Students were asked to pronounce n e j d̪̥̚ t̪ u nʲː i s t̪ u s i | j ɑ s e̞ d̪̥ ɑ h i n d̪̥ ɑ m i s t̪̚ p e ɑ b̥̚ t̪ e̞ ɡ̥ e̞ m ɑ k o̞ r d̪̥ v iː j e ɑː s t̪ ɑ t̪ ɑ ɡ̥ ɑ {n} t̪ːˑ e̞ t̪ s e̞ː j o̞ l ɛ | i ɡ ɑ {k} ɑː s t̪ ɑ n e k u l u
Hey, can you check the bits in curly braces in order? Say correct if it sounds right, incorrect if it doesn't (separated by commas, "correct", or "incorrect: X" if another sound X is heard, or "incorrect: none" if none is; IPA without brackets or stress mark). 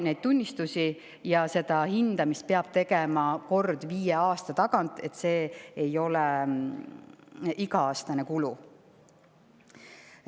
correct, incorrect: none